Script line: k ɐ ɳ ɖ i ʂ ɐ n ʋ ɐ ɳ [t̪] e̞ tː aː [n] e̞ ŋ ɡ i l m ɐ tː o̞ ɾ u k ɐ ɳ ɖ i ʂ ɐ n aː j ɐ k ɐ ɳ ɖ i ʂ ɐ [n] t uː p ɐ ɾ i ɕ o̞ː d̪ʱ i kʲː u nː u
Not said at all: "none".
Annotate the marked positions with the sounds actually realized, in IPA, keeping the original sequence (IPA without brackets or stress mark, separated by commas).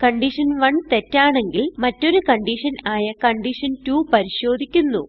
t̪, ɳ, n